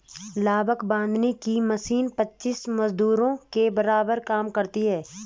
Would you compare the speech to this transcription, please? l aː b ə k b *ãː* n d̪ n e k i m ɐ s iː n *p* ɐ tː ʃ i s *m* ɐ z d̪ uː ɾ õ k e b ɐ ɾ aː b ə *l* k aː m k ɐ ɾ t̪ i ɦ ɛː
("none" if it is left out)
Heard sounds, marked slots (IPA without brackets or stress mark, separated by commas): ãː, p, m, ɾ